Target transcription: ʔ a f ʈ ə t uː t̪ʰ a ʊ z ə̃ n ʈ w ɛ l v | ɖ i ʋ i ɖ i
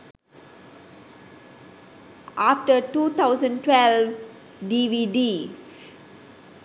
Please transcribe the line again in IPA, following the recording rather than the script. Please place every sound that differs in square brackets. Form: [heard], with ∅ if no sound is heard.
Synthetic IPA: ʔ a f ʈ ə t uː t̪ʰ a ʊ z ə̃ n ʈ w ɛ l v | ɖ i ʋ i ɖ i